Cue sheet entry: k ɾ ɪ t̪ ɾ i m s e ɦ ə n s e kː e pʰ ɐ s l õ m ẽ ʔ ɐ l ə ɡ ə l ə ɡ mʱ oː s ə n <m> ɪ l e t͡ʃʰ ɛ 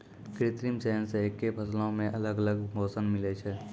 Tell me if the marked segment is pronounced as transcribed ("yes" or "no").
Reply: yes